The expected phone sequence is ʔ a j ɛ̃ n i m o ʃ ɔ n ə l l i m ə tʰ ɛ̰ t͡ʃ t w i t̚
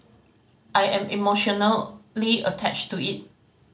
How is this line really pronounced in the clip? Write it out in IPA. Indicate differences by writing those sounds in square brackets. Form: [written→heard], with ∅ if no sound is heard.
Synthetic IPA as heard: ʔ a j ɛ̃ [n→m] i m o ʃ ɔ n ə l l i [m→∅] ə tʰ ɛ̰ t͡ʃ t [w→u] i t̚